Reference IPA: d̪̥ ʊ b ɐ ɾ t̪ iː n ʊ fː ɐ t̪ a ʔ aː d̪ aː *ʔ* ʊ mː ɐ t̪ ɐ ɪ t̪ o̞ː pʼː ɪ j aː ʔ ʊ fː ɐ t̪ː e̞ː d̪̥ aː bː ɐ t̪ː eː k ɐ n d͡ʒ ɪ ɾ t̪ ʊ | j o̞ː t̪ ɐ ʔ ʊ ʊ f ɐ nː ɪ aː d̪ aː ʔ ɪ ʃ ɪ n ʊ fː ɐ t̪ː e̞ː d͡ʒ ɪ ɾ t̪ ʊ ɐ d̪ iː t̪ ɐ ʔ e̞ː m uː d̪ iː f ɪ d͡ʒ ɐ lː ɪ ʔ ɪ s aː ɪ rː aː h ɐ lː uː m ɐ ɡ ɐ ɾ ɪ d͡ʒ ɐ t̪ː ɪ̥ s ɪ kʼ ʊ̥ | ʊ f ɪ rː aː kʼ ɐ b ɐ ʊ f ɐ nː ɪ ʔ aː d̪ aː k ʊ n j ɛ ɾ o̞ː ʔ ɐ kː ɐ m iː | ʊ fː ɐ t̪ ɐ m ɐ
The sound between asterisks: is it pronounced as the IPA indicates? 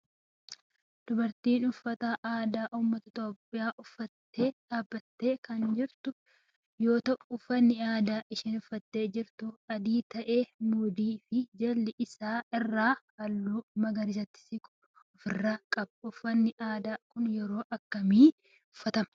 yes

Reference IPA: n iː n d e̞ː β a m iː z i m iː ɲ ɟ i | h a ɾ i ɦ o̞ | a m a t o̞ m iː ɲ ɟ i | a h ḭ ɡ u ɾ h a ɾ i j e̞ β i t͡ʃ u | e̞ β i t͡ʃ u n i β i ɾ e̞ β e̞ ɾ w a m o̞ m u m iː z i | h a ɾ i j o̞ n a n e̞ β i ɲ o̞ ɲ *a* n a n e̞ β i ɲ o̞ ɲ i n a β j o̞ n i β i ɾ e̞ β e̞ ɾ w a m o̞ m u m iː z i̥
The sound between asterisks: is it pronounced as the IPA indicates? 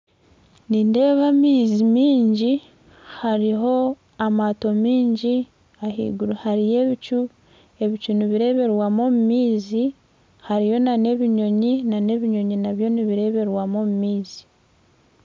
no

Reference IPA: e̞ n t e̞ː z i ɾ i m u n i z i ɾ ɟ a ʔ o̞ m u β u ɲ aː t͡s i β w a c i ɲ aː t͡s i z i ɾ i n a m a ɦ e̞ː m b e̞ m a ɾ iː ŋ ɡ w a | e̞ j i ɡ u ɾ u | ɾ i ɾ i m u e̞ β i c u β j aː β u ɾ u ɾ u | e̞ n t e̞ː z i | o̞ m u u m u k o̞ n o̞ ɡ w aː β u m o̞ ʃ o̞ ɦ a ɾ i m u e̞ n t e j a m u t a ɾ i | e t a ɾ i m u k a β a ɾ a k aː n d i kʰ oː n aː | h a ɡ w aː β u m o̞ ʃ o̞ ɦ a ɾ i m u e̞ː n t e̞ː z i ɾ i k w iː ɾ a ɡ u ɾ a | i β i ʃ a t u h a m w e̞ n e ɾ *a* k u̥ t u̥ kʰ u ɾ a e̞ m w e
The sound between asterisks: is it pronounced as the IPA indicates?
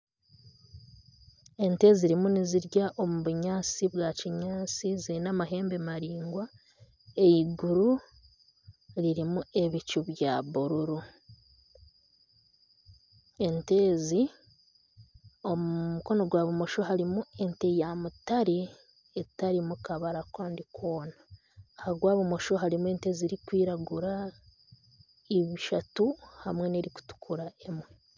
no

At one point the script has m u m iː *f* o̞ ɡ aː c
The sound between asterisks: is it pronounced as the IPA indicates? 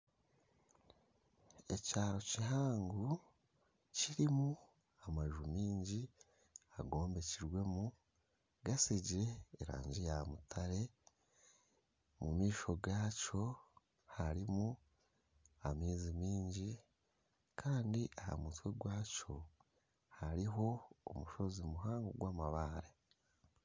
no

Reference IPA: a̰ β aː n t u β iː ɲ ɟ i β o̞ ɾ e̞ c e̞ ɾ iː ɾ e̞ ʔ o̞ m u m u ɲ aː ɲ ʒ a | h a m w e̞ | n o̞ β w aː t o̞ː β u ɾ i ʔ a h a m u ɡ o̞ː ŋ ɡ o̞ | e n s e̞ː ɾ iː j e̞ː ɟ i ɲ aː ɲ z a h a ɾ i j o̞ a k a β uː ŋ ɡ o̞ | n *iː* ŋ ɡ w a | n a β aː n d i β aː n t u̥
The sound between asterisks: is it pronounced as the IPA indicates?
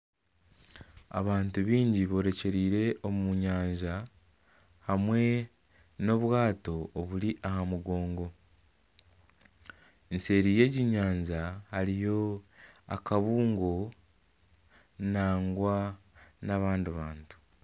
no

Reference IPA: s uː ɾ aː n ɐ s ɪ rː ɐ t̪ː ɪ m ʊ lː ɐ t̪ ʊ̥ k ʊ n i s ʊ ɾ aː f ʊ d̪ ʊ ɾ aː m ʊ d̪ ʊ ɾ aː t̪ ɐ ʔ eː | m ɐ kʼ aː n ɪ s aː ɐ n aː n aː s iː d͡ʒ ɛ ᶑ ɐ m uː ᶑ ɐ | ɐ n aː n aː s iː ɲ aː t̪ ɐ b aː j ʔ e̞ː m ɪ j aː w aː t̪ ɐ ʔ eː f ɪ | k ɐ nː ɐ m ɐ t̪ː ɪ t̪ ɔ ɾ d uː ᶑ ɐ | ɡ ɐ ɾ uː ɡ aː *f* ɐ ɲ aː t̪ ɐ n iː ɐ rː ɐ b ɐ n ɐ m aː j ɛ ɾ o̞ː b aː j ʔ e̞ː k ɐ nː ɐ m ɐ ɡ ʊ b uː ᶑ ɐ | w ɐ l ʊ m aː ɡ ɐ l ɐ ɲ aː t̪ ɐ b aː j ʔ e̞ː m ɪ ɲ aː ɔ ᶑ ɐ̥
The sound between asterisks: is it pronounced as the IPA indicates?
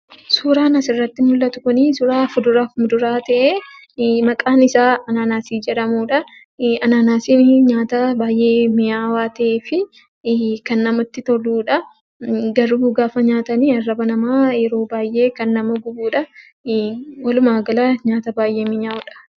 yes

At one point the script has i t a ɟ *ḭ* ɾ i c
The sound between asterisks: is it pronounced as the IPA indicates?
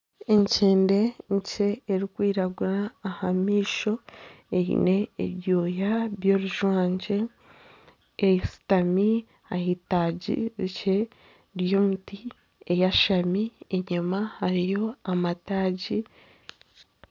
yes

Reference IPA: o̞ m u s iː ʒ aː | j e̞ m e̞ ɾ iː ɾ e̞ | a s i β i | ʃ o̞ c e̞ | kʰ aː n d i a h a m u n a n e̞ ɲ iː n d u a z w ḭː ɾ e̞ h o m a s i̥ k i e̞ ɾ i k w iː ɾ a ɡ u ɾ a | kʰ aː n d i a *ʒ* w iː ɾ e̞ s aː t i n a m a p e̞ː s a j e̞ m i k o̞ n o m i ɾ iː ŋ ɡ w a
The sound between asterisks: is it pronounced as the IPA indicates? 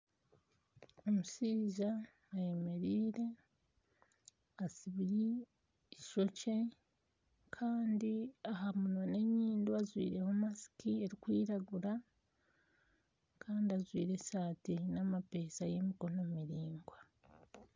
no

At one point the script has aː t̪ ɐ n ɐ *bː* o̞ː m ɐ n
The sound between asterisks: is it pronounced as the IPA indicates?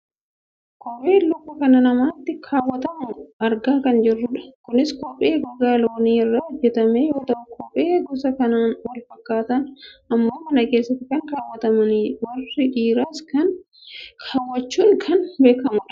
no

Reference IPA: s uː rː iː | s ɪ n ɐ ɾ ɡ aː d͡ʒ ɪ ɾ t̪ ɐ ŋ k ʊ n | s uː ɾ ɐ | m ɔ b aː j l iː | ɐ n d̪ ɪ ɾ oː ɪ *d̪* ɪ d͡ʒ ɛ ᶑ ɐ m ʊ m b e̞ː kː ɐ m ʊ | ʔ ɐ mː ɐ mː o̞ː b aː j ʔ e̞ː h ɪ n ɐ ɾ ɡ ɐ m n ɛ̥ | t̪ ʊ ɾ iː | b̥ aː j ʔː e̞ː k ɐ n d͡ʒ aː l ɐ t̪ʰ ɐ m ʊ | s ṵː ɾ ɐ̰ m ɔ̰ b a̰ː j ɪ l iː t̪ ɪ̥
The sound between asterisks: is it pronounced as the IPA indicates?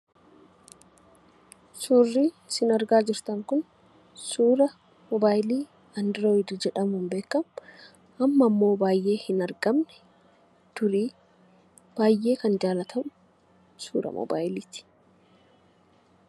yes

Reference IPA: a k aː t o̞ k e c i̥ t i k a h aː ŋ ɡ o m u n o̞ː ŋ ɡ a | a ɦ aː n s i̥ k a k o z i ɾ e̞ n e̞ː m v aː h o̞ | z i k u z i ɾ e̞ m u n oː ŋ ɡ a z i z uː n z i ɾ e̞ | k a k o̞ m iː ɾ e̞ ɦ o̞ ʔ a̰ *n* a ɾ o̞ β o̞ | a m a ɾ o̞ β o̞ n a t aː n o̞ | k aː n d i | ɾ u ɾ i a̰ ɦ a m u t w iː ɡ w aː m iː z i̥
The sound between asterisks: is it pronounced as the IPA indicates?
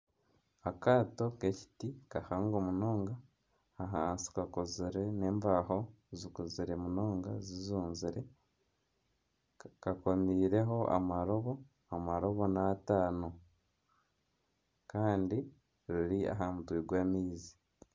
no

